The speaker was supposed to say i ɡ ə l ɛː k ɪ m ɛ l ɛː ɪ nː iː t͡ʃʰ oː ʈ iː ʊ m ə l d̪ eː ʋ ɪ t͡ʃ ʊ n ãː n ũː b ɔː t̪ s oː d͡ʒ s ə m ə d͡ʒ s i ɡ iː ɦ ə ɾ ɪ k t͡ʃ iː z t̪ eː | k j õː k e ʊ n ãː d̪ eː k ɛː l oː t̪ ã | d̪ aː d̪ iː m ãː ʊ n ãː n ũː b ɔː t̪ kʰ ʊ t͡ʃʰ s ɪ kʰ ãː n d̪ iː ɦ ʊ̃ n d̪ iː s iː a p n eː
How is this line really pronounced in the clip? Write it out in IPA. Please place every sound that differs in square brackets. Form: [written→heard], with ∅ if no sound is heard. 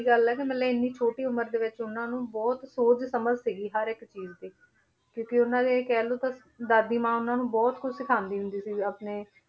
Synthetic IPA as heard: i ɡ ə l ɛː k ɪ m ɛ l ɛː ɪ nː iː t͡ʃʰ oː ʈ iː ʊ m ə [l→ɾ] d̪ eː ʋ ɪ t͡ʃ ʊ n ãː n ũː b ɔː t̪ s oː d͡ʒ s ə m ə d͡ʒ s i ɡ iː ɦ ə ɾ ɪ k t͡ʃ iː z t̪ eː | k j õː k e ʊ n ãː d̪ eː k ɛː l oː t̪ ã | d̪ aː d̪ iː m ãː ʊ n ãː n ũː b ɔː t̪ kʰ ʊ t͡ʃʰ s ɪ kʰ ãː n d̪ iː ɦ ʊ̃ n d̪ iː s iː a p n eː